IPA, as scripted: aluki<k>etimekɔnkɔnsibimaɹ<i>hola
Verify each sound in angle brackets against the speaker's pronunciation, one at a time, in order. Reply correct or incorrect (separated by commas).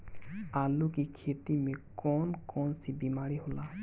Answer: incorrect, correct